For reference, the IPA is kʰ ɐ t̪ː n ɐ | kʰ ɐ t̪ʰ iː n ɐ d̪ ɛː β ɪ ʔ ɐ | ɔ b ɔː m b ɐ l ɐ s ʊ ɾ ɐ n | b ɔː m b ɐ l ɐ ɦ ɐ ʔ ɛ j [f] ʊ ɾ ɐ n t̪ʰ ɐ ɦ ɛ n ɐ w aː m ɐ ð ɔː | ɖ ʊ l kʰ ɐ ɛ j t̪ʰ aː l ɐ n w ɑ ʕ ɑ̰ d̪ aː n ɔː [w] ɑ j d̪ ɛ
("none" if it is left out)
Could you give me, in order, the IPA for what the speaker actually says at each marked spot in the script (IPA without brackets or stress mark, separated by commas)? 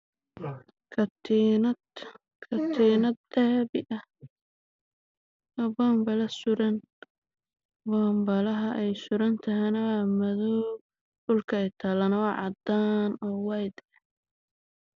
s, w